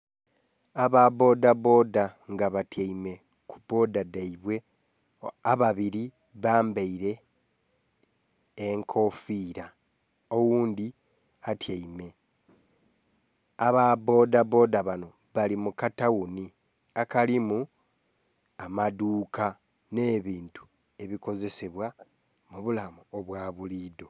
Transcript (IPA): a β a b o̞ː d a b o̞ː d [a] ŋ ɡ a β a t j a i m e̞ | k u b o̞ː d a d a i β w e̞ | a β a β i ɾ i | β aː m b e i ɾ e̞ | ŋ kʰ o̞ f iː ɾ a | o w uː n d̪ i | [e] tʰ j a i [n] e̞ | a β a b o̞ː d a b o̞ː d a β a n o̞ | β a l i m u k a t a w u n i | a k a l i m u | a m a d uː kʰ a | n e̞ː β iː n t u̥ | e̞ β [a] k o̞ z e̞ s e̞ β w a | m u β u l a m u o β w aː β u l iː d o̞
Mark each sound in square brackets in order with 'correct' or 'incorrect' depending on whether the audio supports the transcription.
correct, incorrect, incorrect, incorrect

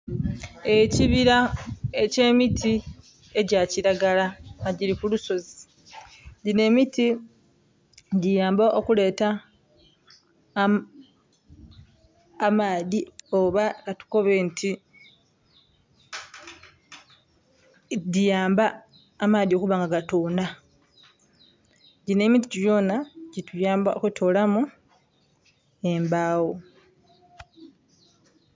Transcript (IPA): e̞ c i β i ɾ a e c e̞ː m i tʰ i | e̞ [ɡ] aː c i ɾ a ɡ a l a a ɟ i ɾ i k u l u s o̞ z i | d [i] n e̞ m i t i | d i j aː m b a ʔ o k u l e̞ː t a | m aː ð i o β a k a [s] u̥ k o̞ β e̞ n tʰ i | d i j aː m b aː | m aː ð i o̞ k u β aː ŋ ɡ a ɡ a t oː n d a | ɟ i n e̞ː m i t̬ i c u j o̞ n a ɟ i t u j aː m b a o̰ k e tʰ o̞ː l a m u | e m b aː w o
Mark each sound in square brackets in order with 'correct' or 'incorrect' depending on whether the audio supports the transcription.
incorrect, correct, incorrect

